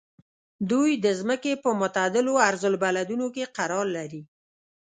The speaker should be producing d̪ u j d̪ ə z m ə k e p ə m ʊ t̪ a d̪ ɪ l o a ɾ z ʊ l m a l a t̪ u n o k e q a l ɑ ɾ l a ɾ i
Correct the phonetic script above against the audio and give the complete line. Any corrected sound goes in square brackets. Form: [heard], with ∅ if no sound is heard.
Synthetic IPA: d̪ u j d̪ ə z m ə k e p ə m ʊ t̪ a d̪ ɪ l o a ɾ z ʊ l [b] a l a [d̪] u n o k e q a [ɾ] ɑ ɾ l a ɾ i